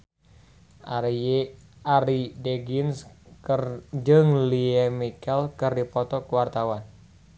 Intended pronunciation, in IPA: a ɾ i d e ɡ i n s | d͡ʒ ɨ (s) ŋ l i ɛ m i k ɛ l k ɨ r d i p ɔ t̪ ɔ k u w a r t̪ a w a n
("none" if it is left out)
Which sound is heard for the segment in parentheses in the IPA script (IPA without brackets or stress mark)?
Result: none